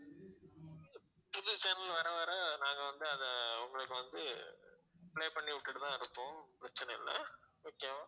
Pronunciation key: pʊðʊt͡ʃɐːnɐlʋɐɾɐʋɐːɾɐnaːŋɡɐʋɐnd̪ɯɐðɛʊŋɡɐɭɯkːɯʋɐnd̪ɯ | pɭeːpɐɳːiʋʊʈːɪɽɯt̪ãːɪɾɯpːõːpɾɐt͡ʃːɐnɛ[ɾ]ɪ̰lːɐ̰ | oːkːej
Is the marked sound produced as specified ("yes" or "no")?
no